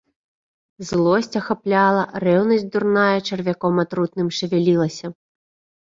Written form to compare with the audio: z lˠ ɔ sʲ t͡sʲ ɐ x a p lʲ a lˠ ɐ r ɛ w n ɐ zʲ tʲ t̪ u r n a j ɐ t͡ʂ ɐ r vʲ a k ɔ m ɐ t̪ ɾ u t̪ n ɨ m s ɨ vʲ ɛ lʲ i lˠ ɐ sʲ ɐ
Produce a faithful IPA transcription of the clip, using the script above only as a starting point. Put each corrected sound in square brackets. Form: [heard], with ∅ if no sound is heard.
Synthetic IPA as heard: z lˠ ɔ sʲ t͡sʲ ɐ x a p lʲ a lˠ ɐ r ɛ w n ɐ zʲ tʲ [d̪] u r n a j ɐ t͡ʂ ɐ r vʲ a k ɔ m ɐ t̪ ɾ u t̪ n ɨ m [ʂ] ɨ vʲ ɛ lʲ i lˠ ɐ sʲ ɐ

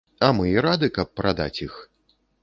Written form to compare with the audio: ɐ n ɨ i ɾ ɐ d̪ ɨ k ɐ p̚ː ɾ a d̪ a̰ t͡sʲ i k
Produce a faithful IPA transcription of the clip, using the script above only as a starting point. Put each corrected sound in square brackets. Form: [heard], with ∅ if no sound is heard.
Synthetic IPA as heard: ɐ [m] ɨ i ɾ [a] d̪ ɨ k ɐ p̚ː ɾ a d̪ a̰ t͡sʲ i [x]

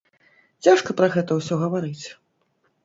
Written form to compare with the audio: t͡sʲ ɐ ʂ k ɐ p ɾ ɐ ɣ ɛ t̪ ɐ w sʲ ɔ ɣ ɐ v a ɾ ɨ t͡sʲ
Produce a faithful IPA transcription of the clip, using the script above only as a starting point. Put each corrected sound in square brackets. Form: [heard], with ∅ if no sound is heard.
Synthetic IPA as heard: t͡sʲ [a] ʂ k ɐ p ɾ ɐ ɣ ɛ t̪ ɐ w sʲ ɔ ɣ ɐ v a ɾ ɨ t͡sʲ

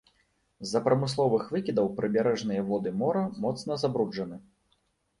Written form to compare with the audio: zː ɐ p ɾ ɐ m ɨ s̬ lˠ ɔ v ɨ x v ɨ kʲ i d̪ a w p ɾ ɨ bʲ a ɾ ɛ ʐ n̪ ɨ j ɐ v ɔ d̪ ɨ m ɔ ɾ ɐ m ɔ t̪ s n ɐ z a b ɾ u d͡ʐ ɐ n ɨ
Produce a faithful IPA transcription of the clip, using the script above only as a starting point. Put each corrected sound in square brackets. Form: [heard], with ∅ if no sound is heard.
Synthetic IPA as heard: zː ɐ p ɾ ɐ m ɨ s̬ lˠ ɔ v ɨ x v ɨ kʲ i d̪ [ɐ] w p ɾ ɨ bʲ a ɾ ɛ ʐ n̪ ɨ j ɐ v ɔ d̪ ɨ m ɔ ɾ ɐ m ɔ t̪ s n ɐ z a b ɾ u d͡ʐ ɐ n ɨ

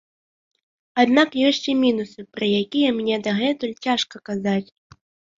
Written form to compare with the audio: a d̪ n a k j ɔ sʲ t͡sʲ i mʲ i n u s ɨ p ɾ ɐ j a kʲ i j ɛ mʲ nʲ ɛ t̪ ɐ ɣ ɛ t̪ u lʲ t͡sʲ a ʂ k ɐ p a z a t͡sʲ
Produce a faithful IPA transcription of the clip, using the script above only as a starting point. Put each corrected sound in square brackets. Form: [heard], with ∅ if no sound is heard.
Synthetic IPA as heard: a d̪ n a k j ɔ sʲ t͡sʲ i mʲ i n u s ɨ p ɾ ɐ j a kʲ i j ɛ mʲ nʲ ɛ [d̪] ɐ ɣ ɛ t̪ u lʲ t͡sʲ a ʂ k ɐ [k] a z a t͡sʲ

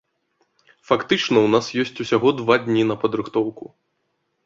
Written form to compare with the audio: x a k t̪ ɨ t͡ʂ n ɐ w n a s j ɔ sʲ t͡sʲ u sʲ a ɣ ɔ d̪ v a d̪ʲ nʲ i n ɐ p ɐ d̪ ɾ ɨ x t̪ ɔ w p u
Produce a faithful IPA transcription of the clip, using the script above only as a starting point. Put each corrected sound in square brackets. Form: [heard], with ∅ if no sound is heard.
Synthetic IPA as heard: [f] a k t̪ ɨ t͡ʂ n ɐ w n a s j ɔ sʲ t͡sʲ u sʲ a ɣ ɔ d̪ v a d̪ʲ nʲ i n ɐ p ɐ d̪ ɾ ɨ x t̪ ɔ w [k] u

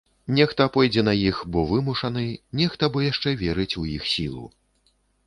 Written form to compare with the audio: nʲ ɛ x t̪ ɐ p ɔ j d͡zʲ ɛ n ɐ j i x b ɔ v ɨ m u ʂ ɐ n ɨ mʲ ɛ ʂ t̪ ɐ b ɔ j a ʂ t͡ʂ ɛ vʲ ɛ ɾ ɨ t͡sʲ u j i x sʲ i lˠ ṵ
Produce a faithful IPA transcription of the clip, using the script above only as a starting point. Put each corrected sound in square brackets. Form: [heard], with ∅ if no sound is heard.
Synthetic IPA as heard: nʲ ɛ x t̪ ɐ p ɔ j d͡zʲ ɛ n ɐ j i x b ɔ v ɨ m u ʂ ɐ n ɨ [nʲ] ɛ [x] t̪ ɐ b ɔ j a ʂ t͡ʂ ɛ vʲ ɛ ɾ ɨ t͡sʲ u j i x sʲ i lˠ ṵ

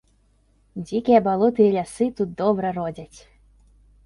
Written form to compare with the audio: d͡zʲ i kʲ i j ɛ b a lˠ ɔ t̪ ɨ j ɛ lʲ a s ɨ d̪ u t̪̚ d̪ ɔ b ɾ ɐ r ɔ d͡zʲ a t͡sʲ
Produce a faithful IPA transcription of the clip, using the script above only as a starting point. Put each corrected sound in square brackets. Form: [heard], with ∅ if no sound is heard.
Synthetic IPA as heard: d͡zʲ i kʲ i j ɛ b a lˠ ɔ t̪ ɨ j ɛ lʲ a s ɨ [t̪] u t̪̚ d̪ ɔ b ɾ ɐ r ɔ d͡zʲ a t͡sʲ

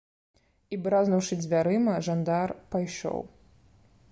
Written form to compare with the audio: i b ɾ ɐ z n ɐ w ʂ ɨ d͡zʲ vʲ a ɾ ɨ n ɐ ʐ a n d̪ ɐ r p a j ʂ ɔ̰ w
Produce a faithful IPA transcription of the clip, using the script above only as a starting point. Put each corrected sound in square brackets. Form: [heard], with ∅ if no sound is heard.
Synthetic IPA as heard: i b ɾ [a] z n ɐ w ʂ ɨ d͡zʲ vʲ a ɾ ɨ [m] ɐ ʐ a n d̪ [a] r p a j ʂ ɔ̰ w

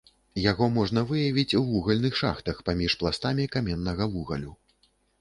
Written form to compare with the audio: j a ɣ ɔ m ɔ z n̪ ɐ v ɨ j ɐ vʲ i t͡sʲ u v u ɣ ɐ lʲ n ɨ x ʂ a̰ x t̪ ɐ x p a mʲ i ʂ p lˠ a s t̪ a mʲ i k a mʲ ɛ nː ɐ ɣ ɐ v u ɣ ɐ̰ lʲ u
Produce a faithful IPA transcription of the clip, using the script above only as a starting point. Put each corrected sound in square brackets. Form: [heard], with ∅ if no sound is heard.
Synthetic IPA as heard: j a ɣ ɔ m ɔ [ʐ] n̪ ɐ v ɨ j ɐ vʲ i t͡sʲ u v u ɣ ɐ lʲ n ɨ x ʂ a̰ x t̪ ɐ x p a mʲ i ʂ p lˠ a s t̪ a mʲ i k a mʲ ɛ nː ɐ ɣ ɐ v u ɣ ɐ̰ lʲ u

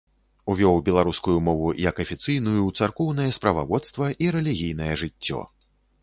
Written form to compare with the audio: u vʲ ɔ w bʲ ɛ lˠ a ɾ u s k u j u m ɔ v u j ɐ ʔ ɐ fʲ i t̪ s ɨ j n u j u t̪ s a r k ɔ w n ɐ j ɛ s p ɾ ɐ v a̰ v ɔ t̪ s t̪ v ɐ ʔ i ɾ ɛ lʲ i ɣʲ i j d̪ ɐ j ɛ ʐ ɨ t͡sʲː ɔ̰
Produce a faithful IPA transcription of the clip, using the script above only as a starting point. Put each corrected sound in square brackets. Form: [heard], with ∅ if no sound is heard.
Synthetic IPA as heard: u vʲ ɔ w bʲ ɛ lˠ a ɾ u s k u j u m ɔ v u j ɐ [k] ɐ fʲ i t̪ s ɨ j n u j u t̪ s a r k ɔ w n ɐ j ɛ s p ɾ ɐ v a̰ v ɔ t̪ s t̪ v ɐ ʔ i ɾ ɛ lʲ i ɣʲ i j [n̪] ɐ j ɛ ʐ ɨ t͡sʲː ɔ̰

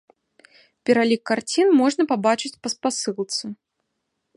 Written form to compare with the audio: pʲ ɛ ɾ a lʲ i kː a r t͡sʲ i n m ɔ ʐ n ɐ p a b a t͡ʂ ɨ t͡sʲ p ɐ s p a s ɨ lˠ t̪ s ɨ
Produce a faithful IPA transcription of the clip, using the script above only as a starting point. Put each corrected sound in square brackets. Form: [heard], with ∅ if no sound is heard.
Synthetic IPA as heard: pʲ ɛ ɾ a lʲ i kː a r t͡sʲ i n m ɔ ʐ n ɐ p a b a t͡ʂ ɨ t͡sʲ p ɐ s p a s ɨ lˠ t̪ s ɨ

